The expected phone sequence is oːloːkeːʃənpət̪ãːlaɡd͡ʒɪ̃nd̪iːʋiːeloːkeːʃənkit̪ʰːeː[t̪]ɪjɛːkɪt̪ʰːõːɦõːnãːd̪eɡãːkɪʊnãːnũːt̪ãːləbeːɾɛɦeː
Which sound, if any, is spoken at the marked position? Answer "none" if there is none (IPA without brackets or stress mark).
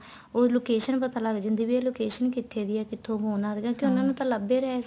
d̪